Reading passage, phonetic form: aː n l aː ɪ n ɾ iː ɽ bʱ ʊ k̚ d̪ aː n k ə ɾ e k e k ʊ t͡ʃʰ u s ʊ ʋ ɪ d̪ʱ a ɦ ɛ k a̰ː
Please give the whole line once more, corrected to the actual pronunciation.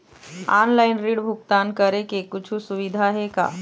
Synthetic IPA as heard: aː n l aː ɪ n ɾ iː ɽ bʱ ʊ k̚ t̪ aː n k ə ɾ e k e k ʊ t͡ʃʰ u s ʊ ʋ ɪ d̪ʱ a ɦ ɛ k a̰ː